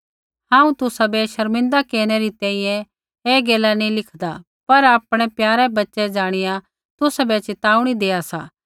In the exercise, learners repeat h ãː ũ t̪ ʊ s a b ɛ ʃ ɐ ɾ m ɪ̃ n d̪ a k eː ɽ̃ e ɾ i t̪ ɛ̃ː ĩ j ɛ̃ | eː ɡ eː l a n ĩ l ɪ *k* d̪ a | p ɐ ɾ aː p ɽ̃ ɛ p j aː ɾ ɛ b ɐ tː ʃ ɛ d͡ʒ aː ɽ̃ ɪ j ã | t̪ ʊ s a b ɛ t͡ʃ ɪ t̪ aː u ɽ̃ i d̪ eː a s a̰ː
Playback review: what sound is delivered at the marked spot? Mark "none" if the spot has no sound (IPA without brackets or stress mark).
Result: kʰ